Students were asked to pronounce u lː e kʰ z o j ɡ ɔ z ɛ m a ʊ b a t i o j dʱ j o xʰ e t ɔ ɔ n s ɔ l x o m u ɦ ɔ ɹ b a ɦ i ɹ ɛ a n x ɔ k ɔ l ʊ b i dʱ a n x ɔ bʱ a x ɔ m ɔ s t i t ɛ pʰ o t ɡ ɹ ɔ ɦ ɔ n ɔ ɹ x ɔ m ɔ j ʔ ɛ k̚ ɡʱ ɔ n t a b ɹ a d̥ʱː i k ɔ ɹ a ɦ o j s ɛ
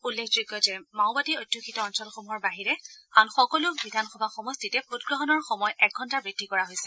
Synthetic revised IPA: u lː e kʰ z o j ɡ ɔ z ɛ m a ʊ b a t i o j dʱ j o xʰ i t ɔ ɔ n s ɔ l x o m u ɦ ɔ ɹ b a ɦ i ɹ ɛ a n x ɔ k ɔ l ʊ b i dʱ a n x ɔ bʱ a x ɔ m ɔ s t i t ɛ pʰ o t ɡ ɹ ɔ ɦ ɔ n ɔ ɹ x ɔ m ɔ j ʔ ɛ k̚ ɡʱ ɔ n t a b ɹ i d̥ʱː i k ɔ ɹ a ɦ o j s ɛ